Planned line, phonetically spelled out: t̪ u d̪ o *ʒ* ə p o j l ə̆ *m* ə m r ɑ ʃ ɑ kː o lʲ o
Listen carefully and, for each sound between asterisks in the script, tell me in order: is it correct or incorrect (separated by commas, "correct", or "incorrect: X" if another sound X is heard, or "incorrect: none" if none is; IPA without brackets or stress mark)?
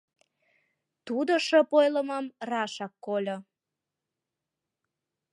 incorrect: ʃ, correct